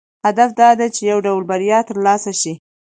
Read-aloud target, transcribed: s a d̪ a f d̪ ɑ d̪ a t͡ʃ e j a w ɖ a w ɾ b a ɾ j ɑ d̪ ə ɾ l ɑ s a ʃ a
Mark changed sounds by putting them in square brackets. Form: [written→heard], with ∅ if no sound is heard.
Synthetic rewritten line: [s→h] a d̪ a f d̪ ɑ d̪ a t͡ʃ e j a w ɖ a w [ɾ→l] b a ɾ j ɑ [d̪→t̪] ə ɾ l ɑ s a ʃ [a→i]